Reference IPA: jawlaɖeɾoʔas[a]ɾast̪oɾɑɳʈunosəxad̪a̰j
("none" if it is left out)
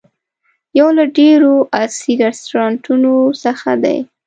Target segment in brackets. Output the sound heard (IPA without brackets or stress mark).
i